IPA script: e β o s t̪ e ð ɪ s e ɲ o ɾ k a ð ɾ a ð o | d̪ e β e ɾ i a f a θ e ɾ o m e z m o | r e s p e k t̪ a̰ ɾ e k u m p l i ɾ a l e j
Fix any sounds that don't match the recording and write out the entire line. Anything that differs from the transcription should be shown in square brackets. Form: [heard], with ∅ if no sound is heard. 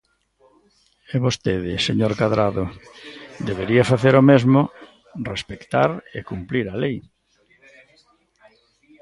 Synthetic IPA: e β o s t̪ e ð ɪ s e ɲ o ɾ k a ð ɾ a ð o | d̪ e β e ɾ i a f a θ e ɾ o m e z m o | r e s p e k t̪ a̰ ɾ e k u m p l i ɾ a l e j